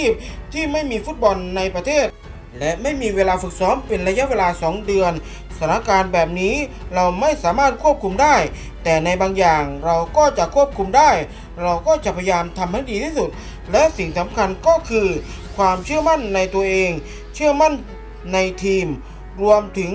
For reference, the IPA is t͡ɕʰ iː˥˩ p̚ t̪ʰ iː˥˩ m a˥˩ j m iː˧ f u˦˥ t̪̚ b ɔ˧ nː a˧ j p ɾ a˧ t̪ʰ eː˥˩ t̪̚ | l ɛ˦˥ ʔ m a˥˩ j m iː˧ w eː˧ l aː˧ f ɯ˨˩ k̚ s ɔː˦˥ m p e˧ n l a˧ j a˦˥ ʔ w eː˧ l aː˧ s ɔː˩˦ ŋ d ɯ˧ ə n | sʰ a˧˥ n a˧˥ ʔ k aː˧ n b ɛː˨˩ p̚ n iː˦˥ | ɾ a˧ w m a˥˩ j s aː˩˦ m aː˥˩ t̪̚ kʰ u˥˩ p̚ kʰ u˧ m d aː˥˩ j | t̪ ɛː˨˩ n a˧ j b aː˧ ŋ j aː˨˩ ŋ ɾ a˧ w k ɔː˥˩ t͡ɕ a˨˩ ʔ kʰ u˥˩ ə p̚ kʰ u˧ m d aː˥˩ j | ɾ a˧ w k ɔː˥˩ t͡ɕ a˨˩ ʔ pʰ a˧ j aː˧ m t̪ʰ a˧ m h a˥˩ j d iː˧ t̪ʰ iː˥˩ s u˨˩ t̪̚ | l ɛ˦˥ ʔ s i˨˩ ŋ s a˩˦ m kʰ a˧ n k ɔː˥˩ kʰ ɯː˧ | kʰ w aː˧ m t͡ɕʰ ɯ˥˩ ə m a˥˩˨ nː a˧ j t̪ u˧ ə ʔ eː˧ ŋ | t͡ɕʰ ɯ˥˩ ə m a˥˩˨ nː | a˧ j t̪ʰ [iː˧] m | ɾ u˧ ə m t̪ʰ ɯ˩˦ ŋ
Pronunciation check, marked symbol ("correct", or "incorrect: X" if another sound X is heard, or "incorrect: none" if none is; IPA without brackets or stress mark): correct